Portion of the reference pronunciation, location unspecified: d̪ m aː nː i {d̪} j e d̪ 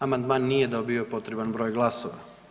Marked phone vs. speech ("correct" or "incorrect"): incorrect